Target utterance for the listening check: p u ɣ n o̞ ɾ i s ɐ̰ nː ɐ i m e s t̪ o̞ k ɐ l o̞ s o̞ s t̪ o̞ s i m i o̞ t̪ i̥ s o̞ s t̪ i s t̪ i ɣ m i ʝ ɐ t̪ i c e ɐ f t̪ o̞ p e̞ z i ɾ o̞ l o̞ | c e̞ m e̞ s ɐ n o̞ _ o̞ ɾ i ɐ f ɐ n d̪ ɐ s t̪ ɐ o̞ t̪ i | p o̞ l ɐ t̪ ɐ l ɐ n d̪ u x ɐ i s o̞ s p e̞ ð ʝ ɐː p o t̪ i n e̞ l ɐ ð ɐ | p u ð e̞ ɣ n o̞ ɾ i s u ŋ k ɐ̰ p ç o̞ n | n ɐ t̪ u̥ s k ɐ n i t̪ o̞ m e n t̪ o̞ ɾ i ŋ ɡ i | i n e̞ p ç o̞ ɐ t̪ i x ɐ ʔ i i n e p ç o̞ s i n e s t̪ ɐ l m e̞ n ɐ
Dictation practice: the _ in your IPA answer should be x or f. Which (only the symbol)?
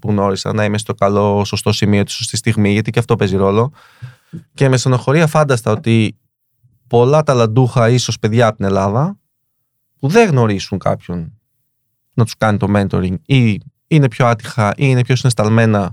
x